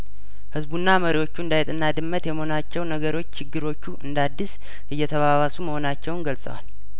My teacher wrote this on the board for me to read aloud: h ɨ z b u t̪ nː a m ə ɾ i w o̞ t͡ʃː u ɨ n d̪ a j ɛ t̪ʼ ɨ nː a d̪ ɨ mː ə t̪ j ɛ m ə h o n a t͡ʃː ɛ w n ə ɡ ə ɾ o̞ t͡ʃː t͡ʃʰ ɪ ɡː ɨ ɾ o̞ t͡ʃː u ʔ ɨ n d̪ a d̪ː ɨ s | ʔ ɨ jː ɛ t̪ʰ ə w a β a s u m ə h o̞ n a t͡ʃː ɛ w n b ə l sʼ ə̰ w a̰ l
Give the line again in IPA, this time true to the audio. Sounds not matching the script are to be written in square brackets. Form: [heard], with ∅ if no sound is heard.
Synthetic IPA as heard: h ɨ z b u [∅] nː a m ə ɾ i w o̞ t͡ʃː u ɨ n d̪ a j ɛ t̪ʼ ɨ nː a d̪ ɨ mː ə t̪ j ɛ m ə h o n a t͡ʃː ɛ w n ə ɡ ə ɾ o̞ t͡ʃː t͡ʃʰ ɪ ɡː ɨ ɾ o̞ t͡ʃː u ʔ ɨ n d̪ a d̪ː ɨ s | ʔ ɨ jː ɛ t̪ʰ ə [β] a β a s u m ə h o̞ n a t͡ʃː ɛ w n [ɡ] ə l sʼ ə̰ w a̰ l

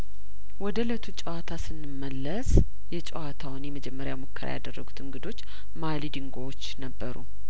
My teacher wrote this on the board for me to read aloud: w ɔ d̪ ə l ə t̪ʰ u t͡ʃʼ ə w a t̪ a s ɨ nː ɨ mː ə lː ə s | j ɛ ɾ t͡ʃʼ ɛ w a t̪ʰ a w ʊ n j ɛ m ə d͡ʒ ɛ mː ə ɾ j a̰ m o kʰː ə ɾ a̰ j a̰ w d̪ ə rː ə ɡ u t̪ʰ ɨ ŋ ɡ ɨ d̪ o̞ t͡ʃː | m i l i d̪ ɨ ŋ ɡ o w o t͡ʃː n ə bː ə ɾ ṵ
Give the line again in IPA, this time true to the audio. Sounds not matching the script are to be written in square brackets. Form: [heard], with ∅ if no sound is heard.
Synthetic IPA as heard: w ɔ d̪ ə l ə t̪ʰ u t͡ʃʼ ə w a [t̪ʰ] a s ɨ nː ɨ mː ə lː ə s | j ɛ [∅] t͡ʃʼ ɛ w a t̪ʰ a w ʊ n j ɛ m ə d͡ʒ ɛ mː ə ɾ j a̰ m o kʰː ə ɾ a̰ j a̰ [∅] d̪ ə rː ə ɡ u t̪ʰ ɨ ŋ ɡ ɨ d̪ o̞ t͡ʃː | m [a] l i d̪ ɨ ŋ ɡ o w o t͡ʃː n ə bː ə ɾ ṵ

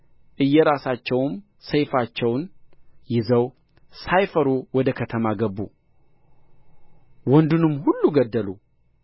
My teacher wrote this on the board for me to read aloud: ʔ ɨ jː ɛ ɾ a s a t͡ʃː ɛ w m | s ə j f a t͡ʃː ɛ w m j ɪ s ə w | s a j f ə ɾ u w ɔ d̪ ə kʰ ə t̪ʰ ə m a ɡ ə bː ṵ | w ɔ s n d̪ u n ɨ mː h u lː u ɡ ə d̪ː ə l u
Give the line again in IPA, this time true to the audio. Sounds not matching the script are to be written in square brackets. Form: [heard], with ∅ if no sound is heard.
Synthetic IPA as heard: ʔ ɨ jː ɛ ɾ a s a t͡ʃː ɛ w m | s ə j f a t͡ʃː ɛ w [n] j ɪ [z] ə w | s a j f ə ɾ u w ɔ d̪ ə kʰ ə t̪ʰ ə m a ɡ ə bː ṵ | w ɔ [∅] n d̪ u n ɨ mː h u lː u ɡ ə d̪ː ə l u

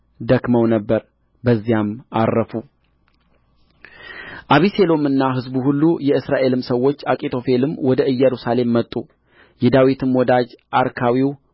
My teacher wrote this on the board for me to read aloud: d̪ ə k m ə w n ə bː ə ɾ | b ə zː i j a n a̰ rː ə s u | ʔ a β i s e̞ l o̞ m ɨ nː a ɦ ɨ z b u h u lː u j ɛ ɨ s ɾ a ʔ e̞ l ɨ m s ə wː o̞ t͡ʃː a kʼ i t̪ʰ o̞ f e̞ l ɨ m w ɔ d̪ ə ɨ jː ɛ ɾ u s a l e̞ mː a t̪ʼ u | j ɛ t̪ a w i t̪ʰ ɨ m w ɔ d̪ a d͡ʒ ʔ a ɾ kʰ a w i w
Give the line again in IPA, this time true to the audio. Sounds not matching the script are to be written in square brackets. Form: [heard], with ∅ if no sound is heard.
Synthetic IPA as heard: d̪ ə k m ə w n ə bː ə ɾ | b ə zː i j a [m] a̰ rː ə [f] u | ʔ a β i s e̞ l o̞ m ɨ nː a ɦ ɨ z b u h u lː u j ɛ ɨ s ɾ a ʔ e̞ l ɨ m s ə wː o̞ t͡ʃː a kʼ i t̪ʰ o̞ f e̞ l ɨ m w ɔ d̪ ə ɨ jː ɛ ɾ u s a l e̞ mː [ə] t̪ʼ u | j ɛ [d̪] a w i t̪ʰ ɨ m w ɔ d̪ a d͡ʒ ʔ a ɾ kʰ a w i w

